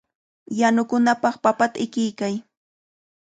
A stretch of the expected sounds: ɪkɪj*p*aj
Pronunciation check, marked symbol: incorrect: k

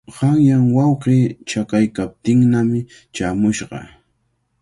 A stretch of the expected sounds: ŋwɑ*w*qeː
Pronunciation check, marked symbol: correct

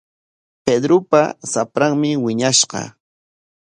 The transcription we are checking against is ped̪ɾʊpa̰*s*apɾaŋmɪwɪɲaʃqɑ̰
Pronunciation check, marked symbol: correct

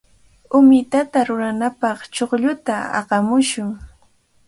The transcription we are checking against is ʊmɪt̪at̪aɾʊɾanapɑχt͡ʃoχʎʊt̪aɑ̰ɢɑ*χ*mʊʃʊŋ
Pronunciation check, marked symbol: incorrect: none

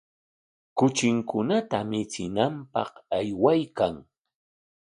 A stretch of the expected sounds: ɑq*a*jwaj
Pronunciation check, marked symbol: correct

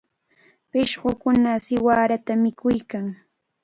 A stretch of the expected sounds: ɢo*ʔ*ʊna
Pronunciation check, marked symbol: incorrect: k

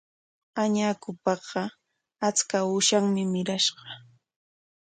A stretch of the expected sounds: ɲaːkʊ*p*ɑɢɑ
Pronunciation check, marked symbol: correct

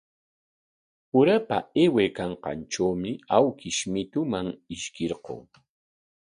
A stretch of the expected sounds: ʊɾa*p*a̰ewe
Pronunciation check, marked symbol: correct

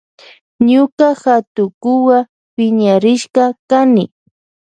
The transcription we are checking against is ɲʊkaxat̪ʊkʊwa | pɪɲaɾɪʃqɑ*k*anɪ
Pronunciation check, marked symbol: correct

